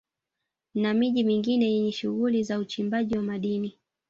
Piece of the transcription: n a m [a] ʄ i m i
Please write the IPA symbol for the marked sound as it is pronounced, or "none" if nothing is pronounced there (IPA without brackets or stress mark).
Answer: i